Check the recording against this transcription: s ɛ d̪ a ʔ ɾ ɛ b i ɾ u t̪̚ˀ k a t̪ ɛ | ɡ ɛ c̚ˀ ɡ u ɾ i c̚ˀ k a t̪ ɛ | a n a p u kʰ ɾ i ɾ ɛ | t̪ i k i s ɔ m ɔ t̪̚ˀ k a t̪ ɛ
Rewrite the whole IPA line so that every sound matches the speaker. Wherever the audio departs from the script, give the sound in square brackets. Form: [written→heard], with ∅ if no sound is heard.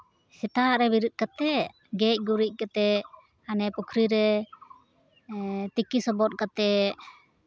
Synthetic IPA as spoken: s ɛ [d̪→t̪] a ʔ ɾ ɛ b i ɾ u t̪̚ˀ k a t̪ ɛ | ɡ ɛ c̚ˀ ɡ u ɾ i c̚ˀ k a t̪ ɛ | a n [a→ɛ] p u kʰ ɾ i ɾ ɛ | t̪ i k i s ɔ [m→b] ɔ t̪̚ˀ k a t̪ ɛ